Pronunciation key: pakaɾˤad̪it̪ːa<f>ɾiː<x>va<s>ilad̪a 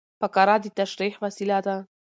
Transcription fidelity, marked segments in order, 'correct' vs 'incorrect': incorrect: ʃ, incorrect: ħ, correct

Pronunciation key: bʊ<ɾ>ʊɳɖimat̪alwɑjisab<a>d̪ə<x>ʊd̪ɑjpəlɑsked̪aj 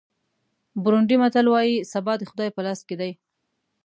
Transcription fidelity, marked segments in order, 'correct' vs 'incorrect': correct, incorrect: ɑ, correct

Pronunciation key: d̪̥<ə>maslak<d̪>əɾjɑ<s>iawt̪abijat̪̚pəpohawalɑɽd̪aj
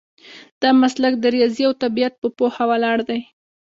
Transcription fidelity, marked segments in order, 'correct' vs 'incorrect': incorrect: ɑ, correct, incorrect: z

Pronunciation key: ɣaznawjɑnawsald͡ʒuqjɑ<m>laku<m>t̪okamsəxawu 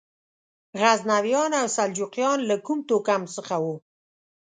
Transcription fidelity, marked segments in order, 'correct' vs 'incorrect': incorrect: n, correct

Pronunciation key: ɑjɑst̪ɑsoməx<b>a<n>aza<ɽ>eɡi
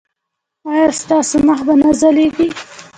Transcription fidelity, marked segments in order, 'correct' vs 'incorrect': correct, correct, incorrect: l

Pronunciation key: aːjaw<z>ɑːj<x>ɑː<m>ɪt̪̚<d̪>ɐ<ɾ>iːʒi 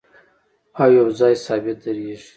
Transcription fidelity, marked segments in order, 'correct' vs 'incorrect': correct, incorrect: s, incorrect: b, correct, correct

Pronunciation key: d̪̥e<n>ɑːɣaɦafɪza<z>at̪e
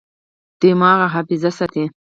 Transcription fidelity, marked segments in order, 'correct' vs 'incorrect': incorrect: m, incorrect: s

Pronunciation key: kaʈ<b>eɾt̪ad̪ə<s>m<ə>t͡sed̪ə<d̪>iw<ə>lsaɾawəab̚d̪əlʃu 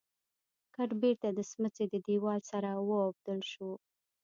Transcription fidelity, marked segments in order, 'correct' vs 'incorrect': correct, correct, correct, correct, incorrect: ɑ

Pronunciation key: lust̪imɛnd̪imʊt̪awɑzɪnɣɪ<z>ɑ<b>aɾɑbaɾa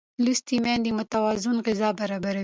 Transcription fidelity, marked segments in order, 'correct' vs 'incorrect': correct, correct

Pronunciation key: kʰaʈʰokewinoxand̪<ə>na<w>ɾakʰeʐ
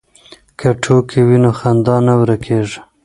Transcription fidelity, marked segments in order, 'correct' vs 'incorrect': incorrect: ɑ, correct

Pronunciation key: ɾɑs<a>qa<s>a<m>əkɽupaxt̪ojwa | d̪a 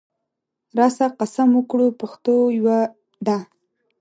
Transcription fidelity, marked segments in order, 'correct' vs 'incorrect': correct, correct, correct

